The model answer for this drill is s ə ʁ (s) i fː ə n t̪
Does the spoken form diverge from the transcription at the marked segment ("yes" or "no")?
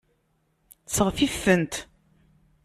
yes